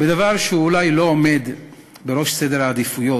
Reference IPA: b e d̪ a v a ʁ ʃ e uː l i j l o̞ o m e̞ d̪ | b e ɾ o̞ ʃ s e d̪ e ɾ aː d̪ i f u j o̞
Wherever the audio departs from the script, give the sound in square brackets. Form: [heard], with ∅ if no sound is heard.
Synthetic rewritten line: b e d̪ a v a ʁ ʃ e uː l [a] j l o̞ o m e̞ d̪ | b e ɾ o̞ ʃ s e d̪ e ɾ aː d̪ i f u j o̞